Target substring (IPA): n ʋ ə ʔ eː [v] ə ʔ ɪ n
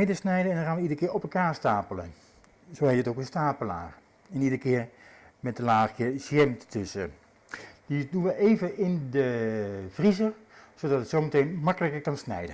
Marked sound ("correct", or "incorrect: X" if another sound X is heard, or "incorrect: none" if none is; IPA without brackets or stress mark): correct